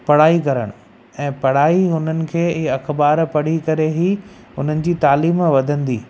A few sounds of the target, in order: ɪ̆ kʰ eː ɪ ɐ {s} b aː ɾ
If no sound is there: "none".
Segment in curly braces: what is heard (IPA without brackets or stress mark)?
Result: x